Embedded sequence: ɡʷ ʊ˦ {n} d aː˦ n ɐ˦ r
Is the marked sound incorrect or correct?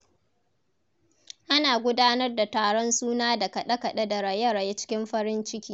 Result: incorrect